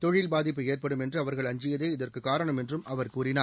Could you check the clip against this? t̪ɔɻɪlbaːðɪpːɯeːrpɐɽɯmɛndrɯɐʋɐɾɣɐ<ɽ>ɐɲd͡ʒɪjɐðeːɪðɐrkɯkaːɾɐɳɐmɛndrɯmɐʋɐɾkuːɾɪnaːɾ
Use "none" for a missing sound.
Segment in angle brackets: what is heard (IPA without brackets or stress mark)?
ɭ